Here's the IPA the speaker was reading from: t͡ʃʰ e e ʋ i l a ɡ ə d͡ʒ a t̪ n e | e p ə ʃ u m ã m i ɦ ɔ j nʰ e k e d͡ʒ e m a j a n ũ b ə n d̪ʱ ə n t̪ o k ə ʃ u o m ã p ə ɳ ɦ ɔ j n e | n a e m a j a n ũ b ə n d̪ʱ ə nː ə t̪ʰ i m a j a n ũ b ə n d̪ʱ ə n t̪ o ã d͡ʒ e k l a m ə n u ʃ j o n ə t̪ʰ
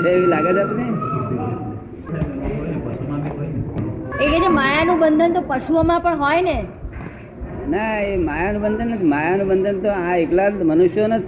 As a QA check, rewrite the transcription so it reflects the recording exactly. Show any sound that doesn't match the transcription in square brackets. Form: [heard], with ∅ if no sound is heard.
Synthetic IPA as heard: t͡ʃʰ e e ʋ i l a ɡ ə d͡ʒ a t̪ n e | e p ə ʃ u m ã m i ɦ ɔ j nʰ e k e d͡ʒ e m a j a n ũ b ə n d̪ʱ ə n t̪ o [p] ə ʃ u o m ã p ə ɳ ɦ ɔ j n e | n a e m a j a n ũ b ə n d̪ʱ ə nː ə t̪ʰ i m a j a n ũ b ə n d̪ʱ ə n t̪ o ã [∅] e k l a m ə n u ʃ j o n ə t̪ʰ